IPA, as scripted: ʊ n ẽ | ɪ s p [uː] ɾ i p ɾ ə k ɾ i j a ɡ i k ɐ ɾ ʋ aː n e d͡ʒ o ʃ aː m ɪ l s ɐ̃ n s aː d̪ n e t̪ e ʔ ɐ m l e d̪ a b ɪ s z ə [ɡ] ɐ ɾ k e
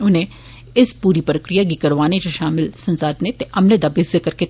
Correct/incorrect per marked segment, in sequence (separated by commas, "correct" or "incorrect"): correct, incorrect